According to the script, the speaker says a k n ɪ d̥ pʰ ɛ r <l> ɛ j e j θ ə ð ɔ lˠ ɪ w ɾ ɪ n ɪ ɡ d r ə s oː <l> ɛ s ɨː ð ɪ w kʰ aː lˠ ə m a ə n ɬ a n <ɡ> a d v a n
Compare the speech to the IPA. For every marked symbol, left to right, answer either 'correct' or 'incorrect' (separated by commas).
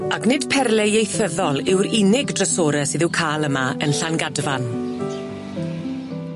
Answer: correct, incorrect, correct